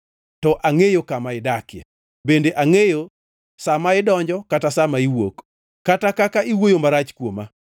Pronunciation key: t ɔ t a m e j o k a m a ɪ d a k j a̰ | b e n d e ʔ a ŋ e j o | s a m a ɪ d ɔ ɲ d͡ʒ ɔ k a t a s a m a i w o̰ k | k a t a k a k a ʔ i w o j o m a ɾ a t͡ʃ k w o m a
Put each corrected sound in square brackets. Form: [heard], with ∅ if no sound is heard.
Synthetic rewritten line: t ɔ [ʔ] a [ŋ] e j o k a m a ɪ d a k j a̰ | b e n d e ʔ a ŋ e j o | s a m a ɪ d ɔ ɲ d͡ʒ ɔ k a t a s a m a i w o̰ k | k a t a k a k a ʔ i w o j o m a ɾ a t͡ʃ k w o m a